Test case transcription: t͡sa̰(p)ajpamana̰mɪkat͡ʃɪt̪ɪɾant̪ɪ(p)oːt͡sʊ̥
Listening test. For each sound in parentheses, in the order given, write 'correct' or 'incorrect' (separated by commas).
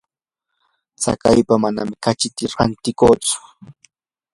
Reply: incorrect, incorrect